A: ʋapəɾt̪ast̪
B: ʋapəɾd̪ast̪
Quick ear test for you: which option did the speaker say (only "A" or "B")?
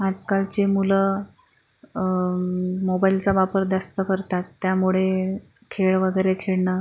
B